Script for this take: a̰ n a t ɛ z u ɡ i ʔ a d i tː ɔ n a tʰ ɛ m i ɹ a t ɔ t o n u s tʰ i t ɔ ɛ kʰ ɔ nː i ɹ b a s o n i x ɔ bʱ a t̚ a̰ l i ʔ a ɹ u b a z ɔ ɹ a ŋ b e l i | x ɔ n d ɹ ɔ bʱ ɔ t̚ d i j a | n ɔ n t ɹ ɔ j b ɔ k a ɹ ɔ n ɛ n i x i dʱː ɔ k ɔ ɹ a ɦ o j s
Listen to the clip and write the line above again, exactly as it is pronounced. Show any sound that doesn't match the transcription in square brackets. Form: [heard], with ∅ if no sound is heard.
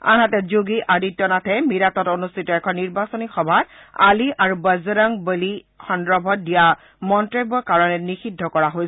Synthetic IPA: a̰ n a t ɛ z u ɡ i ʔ a d i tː ɔ n a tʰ ɛ m i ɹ a t ɔ t o n u s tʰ i t ɔ ɛ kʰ ɔ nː i ɹ b a s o n i x ɔ bʱ a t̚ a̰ l i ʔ a ɹ u b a z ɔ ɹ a ŋ b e l i | x ɔ n d ɹ ɔ bʱ ɔ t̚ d i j a | [m] ɔ n t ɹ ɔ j b ɔ k a ɹ ɔ n ɛ n i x i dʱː ɔ k ɔ ɹ a ɦ o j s